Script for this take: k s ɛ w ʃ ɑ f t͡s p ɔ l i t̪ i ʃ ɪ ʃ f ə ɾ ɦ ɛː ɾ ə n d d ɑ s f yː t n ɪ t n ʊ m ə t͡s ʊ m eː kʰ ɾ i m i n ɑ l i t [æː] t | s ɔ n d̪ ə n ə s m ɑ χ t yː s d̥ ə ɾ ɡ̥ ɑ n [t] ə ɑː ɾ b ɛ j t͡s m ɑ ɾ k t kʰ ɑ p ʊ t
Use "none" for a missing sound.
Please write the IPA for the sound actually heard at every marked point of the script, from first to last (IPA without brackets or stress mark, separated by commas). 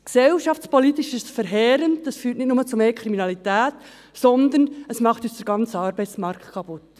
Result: æː, t͡s